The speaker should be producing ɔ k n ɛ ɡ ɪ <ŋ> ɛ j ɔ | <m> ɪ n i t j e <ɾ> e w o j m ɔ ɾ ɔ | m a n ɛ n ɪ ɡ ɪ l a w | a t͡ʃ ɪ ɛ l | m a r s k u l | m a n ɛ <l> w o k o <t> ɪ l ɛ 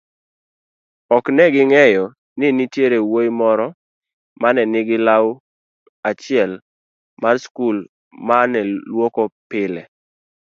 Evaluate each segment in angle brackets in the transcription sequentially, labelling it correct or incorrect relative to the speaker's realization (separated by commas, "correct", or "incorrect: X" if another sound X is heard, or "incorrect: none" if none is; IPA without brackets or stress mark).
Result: correct, incorrect: n, correct, correct, incorrect: p